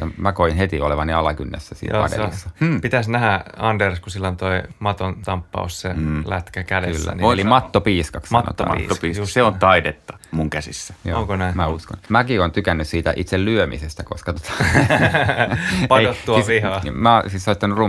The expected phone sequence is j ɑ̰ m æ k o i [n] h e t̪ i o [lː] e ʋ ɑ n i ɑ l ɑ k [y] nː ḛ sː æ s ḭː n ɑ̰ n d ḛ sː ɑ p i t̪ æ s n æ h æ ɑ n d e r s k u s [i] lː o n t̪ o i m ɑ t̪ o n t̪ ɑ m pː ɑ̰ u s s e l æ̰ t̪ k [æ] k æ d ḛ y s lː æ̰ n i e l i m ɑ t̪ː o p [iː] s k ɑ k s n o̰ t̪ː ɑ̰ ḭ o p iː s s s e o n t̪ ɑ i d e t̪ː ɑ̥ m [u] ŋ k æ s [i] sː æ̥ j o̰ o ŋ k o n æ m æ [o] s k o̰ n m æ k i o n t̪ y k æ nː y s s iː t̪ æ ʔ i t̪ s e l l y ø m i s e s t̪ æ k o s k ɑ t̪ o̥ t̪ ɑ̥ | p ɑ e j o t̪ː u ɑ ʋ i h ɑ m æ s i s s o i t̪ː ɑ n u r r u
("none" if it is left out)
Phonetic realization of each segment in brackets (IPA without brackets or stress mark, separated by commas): n, l, y, i, æ, iː, u, i, u